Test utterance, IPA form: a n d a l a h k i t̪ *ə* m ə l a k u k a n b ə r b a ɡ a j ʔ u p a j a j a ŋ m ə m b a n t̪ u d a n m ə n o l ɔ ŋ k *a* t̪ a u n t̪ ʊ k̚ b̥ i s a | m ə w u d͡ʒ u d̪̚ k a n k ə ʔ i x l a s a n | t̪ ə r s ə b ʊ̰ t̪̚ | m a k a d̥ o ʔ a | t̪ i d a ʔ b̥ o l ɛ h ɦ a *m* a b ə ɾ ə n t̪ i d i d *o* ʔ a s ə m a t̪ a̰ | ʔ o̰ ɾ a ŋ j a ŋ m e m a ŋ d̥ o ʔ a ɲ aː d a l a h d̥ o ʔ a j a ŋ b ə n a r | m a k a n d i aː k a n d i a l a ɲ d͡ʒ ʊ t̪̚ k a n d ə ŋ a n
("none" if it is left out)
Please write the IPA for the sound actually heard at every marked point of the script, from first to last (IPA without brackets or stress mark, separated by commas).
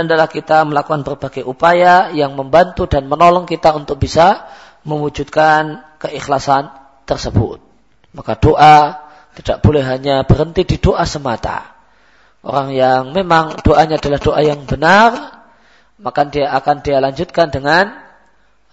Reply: a, i, ɲ, o